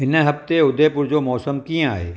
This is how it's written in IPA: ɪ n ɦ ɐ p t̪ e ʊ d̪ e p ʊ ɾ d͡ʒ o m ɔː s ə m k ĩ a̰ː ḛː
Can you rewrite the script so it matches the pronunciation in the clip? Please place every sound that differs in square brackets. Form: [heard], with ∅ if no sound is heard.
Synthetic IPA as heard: ɪ n ɦ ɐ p t̪ e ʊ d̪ e p ʊ ɾ d͡ʒ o m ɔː s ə m k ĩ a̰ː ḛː